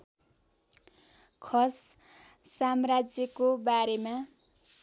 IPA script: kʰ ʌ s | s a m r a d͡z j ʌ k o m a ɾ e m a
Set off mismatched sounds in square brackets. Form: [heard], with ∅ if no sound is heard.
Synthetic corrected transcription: kʰ ʌ s | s a m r a d͡z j ʌ k o [b] a ɾ e m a